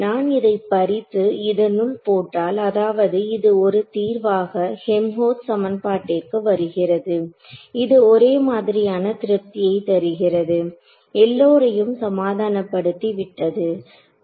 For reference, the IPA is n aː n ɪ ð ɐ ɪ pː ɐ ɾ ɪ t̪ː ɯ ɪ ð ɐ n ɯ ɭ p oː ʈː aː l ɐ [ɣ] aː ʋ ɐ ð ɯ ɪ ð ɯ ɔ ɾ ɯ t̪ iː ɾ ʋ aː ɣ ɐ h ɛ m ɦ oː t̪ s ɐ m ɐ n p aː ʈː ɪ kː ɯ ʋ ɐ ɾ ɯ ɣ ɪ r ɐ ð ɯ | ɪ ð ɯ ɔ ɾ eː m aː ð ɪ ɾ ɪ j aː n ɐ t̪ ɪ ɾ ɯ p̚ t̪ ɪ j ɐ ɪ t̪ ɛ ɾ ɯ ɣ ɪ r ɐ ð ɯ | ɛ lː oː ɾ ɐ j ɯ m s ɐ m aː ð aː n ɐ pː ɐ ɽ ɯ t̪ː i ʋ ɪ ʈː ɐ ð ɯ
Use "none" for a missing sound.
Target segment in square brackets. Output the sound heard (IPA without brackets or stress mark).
ð